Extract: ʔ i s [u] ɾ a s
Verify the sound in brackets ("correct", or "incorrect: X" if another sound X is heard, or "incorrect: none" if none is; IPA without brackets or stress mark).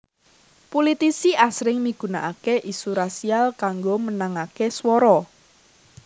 correct